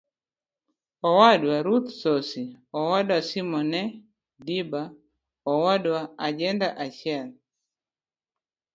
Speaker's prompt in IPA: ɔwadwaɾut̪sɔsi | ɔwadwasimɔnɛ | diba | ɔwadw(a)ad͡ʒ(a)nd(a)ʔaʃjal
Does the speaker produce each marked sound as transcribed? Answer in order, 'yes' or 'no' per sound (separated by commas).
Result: yes, no, yes